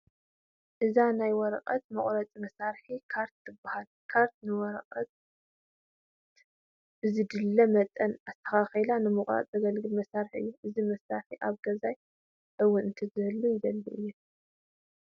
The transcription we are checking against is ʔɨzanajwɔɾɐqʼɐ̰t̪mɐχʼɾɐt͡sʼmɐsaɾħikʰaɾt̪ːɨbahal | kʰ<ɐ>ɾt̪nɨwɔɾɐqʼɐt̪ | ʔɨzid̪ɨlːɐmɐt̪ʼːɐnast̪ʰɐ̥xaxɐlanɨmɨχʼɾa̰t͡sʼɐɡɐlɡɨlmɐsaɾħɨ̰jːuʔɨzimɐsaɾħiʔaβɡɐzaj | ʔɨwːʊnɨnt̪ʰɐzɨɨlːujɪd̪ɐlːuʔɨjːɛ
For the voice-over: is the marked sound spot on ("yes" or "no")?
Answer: no